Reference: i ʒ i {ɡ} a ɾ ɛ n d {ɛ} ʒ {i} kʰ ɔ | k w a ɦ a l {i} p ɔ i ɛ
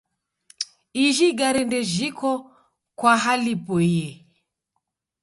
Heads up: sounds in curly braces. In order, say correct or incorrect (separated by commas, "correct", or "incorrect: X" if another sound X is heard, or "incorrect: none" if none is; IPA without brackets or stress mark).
correct, correct, correct, correct